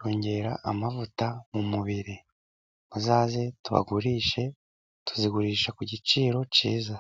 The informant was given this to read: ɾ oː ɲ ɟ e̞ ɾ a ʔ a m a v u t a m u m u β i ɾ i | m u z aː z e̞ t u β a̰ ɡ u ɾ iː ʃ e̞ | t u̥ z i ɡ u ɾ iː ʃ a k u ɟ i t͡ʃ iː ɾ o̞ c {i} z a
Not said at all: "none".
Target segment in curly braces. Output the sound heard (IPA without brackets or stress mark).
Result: iː